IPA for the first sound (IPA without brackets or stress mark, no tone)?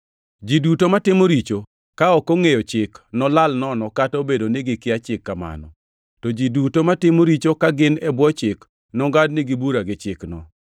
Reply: d͡ʒ